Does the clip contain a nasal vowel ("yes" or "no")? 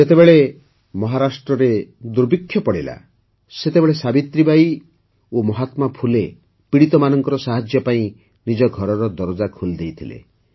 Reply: yes